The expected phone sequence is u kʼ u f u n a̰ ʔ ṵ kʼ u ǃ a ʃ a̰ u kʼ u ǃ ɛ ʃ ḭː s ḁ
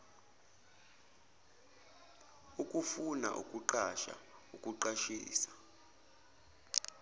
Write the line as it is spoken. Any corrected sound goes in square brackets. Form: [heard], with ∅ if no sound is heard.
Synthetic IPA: u kʼ u f u n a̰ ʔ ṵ kʼ u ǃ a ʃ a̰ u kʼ u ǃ [a] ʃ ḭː s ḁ

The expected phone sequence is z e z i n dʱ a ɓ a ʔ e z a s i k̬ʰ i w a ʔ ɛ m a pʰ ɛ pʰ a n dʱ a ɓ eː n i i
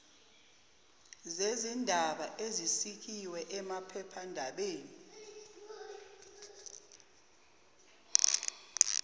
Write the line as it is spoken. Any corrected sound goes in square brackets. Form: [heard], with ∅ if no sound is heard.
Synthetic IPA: z e z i n dʱ a ɓ a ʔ e z [i] s i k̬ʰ i w [ɛ] ʔ ɛ m a pʰ ɛ pʰ a n dʱ a ɓ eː n i i

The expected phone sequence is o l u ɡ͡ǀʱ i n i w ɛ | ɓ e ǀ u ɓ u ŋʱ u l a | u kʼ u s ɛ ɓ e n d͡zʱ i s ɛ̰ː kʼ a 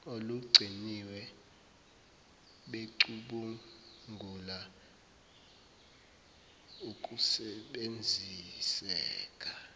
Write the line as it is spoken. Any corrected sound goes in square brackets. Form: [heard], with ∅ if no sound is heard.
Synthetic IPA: o l u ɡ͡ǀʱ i n i w ɛ | ɓ e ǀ u ɓ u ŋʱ u l a | u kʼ u s ɛ ɓ e n d͡zʱ i s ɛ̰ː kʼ a

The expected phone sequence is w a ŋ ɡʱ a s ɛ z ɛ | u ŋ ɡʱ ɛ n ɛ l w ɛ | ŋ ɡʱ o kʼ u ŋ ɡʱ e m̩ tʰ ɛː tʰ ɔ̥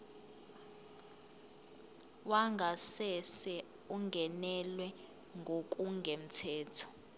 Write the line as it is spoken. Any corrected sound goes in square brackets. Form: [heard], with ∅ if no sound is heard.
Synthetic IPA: w a ŋ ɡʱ a s ɛ [s] ɛ | u ŋ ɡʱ ɛ n ɛ l w ɛ | ŋ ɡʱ o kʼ u ŋ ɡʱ e m̩ tʰ ɛː tʰ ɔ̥

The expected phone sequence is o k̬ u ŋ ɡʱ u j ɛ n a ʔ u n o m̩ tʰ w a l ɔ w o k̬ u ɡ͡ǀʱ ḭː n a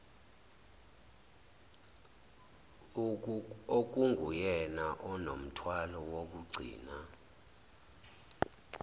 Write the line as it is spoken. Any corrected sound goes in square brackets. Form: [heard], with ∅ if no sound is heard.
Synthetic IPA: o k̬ u ŋ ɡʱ u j ɛ n a ʔ [ɔ] n o m̩ tʰ w a l ɔ w o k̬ u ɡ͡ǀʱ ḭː n a

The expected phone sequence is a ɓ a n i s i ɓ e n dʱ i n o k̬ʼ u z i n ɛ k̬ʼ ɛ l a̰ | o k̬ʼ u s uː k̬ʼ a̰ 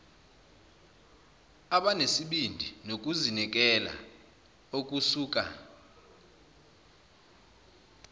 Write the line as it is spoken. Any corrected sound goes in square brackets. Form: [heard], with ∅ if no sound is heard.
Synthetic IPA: a ɓ a n [e] s i ɓ [i] n dʱ i n o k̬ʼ u z i n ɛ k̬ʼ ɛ l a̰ | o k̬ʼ u s uː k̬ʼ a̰

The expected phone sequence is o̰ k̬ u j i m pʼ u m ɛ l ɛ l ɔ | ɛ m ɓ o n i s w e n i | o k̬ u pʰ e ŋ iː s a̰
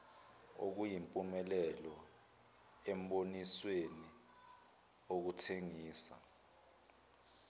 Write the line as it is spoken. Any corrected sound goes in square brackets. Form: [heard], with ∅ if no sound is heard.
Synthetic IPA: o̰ k̬ u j i m pʼ u m ɛ l ɛ l ɔ | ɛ m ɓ o n i s w e n i | o k̬ u [tʰ] e ŋ iː s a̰

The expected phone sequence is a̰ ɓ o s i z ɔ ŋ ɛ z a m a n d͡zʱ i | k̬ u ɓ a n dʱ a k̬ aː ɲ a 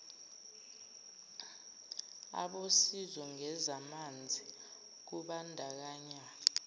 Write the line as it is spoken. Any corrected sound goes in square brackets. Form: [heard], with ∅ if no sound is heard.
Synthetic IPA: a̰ ɓ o s i z ɔ ŋ ɛ z a m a n d͡zʱ i | k̬ u ɓ a n dʱ a k̬ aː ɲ a

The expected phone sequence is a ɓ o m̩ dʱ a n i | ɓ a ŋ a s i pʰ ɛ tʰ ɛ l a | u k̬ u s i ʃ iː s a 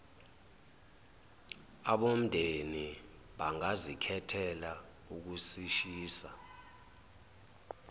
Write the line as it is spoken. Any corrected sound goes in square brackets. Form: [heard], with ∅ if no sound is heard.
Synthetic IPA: a ɓ o m̩ dʱ [e] n i | ɓ a ŋ a [z] i [kʰ] ɛ tʰ ɛ l a | u k̬ u s i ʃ iː s a

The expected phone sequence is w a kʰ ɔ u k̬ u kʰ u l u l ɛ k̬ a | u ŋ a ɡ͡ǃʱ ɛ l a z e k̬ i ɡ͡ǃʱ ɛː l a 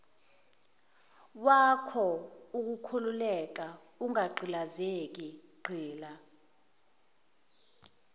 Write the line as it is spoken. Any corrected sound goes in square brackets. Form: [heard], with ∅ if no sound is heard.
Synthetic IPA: w a kʰ ɔ u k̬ u kʰ u l u l ɛ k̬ a | u ŋ a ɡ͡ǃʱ [i] l a z e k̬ i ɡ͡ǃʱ [iː] l a

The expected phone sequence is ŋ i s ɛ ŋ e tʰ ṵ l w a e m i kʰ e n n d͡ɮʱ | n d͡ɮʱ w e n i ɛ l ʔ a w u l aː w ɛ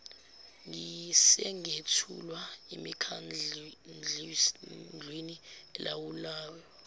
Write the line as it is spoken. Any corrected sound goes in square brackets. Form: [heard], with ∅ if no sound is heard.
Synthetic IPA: ŋ i s ɛ ŋ e tʰ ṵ l w a e m i kʰ [a] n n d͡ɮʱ | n d͡ɮʱ w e n i ɛ l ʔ a w u l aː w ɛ

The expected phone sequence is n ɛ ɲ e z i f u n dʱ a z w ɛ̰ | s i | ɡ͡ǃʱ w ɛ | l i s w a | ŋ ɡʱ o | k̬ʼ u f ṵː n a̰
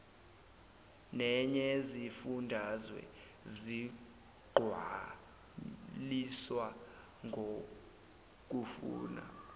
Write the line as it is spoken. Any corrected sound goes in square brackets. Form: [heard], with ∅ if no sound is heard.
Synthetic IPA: n ɛ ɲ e z i f u n dʱ a z w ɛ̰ | [z] i | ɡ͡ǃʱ w [a] | l i s w a | ŋ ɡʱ o | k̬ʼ u f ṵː n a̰

